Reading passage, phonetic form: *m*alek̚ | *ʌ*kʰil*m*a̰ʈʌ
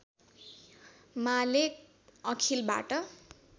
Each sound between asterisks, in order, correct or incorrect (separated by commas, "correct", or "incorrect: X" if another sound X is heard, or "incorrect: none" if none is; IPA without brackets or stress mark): correct, correct, incorrect: b